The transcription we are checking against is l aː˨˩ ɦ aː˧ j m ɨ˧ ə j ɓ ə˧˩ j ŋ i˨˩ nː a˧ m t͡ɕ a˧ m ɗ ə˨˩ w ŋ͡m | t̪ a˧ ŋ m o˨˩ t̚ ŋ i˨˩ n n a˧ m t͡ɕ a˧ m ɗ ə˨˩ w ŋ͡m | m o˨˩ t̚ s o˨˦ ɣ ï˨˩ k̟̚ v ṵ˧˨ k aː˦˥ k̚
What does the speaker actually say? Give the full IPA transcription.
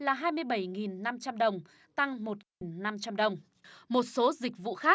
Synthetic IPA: l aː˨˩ ɦ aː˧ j m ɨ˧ ə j ɓ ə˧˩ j ŋ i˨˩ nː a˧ m t͡ɕ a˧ m ɗ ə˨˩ w ŋ͡m | t̪ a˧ ŋ m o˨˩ t̚ ŋ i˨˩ n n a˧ m t͡ɕ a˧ m ɗ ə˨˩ w ŋ͡m | m o˨˩ t̚ s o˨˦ z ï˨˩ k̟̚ v ṵ˧˨ x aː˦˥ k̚